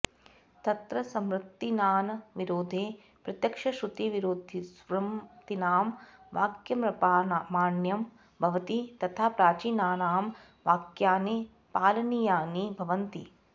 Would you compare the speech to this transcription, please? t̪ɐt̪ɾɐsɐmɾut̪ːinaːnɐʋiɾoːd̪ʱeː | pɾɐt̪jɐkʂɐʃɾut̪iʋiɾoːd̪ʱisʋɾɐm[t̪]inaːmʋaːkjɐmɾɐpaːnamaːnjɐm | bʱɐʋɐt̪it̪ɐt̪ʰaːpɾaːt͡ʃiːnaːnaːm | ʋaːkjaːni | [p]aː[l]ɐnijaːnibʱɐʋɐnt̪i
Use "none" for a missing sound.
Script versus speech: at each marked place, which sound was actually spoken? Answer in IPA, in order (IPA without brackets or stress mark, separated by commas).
t̪, p, l